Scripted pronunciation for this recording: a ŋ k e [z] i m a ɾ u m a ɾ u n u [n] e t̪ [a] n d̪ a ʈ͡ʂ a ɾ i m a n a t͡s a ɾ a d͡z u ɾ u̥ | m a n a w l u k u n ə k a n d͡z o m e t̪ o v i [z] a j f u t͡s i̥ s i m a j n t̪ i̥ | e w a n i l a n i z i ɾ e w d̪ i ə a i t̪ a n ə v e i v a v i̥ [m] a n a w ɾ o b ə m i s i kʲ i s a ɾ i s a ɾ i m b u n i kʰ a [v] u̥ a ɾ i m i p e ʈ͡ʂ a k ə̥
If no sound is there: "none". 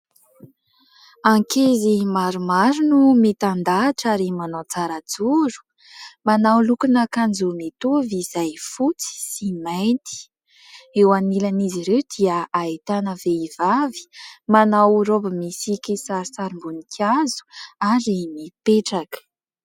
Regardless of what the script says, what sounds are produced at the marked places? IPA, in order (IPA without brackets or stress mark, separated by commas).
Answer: z, m, a, z, m, z